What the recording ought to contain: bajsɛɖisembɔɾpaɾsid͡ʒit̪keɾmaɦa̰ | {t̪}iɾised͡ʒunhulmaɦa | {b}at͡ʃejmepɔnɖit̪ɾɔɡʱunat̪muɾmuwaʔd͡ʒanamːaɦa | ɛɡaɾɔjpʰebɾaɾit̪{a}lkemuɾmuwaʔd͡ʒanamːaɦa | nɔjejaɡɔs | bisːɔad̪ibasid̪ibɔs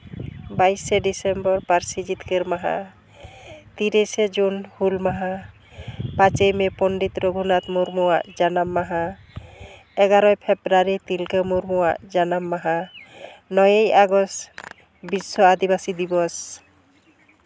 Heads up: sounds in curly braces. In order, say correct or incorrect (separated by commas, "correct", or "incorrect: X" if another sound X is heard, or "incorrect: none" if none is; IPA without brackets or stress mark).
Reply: correct, incorrect: p, incorrect: i